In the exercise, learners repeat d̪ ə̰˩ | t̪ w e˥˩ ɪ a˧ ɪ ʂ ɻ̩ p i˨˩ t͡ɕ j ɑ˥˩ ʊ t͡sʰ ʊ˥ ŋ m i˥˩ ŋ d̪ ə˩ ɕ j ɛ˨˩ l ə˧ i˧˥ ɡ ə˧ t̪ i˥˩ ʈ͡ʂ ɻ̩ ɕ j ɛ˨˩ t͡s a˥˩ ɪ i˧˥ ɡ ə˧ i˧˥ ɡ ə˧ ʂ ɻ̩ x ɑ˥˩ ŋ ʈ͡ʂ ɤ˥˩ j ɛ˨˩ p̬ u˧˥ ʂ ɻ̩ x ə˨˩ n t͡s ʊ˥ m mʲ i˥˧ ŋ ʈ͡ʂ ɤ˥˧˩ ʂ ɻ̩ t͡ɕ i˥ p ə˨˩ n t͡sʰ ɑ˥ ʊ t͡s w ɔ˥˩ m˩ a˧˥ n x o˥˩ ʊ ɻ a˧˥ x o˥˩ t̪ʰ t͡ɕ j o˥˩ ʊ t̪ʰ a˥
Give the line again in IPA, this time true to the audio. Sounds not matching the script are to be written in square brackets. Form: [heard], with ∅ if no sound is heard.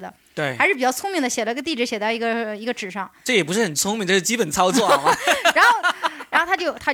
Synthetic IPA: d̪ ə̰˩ | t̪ w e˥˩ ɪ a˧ ɪ ʂ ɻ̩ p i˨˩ t͡ɕ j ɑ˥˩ ʊ t͡sʰ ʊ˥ ŋ m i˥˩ ŋ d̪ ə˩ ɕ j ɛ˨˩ l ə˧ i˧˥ ɡ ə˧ t̪ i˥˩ ʈ͡ʂ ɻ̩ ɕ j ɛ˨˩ t͡s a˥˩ ɪ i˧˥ ɡ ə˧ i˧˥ ɡ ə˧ [ʈ͡ʂ] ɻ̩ [ʂ] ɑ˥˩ ŋ ʈ͡ʂ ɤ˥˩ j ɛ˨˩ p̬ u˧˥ ʂ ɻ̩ x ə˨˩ n [t͡sʰ] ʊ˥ [ŋ] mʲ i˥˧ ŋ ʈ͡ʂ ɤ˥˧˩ ʂ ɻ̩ t͡ɕ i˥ p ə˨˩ n t͡sʰ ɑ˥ ʊ t͡s w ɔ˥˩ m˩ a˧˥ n x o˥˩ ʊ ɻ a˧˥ x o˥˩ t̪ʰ t͡ɕ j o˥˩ ʊ t̪ʰ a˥